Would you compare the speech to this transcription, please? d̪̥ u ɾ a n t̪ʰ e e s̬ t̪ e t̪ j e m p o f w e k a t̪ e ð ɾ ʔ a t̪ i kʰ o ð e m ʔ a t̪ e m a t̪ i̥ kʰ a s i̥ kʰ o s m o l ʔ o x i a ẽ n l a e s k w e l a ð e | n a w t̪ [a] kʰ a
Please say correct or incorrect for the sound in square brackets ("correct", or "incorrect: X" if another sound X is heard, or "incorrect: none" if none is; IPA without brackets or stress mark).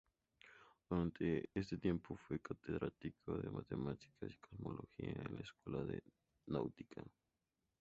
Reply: incorrect: i